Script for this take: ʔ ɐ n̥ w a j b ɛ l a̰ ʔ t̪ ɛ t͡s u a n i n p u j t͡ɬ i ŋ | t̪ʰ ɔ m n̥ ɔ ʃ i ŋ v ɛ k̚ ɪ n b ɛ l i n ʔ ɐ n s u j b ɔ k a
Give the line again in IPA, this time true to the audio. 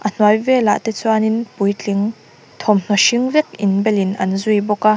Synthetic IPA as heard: ʔ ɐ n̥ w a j v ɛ l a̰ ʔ t̪ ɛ t͡s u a n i n p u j t͡ɬ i ŋ | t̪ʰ ɔ m n̥ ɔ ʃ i ŋ v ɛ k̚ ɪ n b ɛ l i n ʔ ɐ n z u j b ɔ k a